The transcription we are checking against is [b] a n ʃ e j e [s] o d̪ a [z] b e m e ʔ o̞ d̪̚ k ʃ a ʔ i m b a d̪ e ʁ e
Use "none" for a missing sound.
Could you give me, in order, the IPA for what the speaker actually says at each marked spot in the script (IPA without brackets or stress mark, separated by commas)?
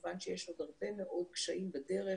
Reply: v, ʃ, ʁ